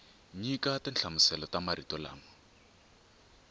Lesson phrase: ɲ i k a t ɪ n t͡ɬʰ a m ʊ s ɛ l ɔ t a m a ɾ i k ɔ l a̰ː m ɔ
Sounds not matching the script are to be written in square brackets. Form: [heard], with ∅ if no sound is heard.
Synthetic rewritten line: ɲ i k a t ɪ n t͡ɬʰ a m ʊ s ɛ l ɔ t a m a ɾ i [t] ɔ l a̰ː m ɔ